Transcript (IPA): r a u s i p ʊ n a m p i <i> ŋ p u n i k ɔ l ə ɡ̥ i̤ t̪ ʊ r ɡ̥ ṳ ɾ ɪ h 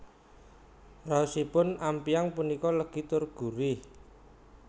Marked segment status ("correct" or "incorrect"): incorrect